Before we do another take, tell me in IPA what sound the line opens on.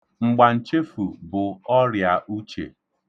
ŋ͡m̩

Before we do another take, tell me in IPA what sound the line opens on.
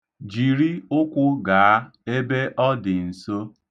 d͡ʒ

